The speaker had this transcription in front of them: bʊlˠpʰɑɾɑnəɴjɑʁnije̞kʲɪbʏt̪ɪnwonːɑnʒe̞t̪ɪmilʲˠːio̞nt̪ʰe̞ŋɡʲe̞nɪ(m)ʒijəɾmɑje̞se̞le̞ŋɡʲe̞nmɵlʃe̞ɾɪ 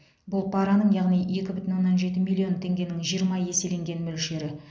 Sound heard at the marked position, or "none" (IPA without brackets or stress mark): ŋ